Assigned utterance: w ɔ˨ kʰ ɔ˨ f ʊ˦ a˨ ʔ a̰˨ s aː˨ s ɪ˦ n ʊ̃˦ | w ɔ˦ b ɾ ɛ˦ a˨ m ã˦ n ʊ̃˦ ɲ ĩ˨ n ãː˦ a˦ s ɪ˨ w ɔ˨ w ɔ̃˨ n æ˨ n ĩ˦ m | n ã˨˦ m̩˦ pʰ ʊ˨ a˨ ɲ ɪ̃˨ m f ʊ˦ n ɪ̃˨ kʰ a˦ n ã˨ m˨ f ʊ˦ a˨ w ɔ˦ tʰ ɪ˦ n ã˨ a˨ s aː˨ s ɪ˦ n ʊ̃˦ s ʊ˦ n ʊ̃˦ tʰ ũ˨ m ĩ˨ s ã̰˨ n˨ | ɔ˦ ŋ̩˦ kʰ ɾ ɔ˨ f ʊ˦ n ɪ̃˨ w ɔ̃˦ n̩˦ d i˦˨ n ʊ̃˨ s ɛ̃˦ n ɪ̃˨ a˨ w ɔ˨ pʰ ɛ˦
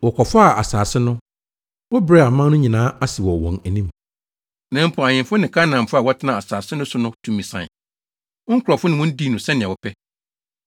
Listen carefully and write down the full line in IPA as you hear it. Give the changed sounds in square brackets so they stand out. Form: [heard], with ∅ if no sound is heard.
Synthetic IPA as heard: w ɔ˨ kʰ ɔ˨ f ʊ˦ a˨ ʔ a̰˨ s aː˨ s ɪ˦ n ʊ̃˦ | w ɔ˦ b ɾ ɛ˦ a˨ m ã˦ n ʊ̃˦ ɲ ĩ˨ n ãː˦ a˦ s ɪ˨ w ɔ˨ w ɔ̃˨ n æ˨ n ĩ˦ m | n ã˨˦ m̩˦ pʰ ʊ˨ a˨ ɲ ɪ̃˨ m f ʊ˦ n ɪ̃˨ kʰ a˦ n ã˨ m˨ f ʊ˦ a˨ w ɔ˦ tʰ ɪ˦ n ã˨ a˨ s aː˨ s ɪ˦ n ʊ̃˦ s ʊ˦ n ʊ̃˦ tʰ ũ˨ m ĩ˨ s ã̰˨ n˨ | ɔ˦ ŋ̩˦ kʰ ɾ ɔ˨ f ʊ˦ n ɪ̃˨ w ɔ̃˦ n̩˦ d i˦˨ n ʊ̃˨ s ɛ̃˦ n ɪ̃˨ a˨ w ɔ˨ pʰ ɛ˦